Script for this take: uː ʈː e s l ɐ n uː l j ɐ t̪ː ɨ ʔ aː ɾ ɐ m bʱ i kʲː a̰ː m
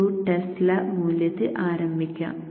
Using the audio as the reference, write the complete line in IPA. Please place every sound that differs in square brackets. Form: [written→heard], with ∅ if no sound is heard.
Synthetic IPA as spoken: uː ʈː e s l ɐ [n→m] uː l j ɐ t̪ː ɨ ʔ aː ɾ ɐ m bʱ i kʲː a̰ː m